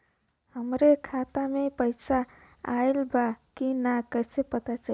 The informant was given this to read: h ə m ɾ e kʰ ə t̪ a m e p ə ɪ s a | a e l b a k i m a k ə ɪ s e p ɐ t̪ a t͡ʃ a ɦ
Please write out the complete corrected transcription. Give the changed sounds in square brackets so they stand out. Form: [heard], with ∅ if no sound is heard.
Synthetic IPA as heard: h ə m ɾ e kʰ [a] t̪ a m e p ə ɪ s a | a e l b a k i [n] a k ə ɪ s e p [ə] t̪ a t͡ʃ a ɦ